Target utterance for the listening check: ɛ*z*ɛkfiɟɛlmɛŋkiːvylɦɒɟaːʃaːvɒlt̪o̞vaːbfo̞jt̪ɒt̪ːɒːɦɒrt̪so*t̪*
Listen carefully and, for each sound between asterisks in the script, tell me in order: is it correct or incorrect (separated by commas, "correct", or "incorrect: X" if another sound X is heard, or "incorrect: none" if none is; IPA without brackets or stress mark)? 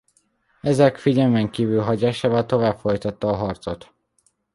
correct, correct